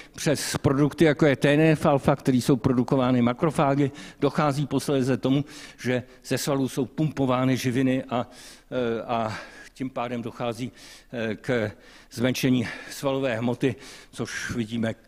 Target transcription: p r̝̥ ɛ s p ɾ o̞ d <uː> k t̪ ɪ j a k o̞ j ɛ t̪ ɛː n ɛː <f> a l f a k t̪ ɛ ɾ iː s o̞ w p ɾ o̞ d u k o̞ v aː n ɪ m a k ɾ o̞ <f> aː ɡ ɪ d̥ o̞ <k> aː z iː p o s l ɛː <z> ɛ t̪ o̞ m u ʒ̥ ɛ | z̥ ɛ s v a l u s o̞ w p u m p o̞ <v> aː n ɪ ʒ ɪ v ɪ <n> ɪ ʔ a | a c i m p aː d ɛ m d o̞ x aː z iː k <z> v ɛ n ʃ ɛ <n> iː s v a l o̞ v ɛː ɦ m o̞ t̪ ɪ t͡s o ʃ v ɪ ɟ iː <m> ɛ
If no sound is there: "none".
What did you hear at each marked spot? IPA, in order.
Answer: u, f, f, x, z, v, n, z, ɲ, m

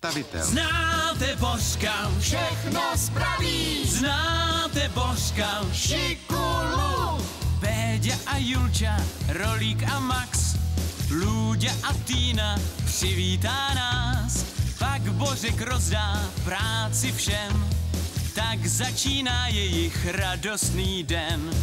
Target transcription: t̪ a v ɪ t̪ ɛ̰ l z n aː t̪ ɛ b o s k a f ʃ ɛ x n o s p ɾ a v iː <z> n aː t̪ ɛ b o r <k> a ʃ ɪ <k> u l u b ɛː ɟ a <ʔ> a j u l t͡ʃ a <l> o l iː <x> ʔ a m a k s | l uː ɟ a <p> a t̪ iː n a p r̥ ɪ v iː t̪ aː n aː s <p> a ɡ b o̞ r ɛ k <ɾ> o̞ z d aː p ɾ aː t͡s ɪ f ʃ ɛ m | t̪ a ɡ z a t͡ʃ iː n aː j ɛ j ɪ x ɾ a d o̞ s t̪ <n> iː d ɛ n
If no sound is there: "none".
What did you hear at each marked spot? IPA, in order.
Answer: z, k, k, ʔ, ɾ, k, ʔ, p, ɾ, n

